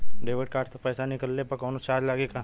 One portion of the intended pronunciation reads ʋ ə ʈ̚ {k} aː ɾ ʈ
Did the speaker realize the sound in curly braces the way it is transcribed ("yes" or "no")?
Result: yes